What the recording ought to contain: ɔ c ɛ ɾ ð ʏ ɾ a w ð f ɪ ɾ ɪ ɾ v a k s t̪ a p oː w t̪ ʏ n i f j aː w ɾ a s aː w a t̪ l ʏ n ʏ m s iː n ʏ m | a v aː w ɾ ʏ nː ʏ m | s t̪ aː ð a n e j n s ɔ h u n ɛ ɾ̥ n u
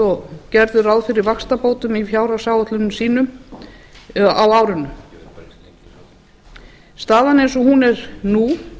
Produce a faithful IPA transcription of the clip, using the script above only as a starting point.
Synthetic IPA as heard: ɔ c ɛ ɾ ð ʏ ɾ a w ð f ɪ ɾ ɪ ɾ v a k s t̪ a p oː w t̪ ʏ m i f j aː w ɾ a s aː w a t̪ l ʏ n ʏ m s iː n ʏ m | a w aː w ɾ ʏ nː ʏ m | s t̪ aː ð a n e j n s ɔ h u n ɛ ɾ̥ n u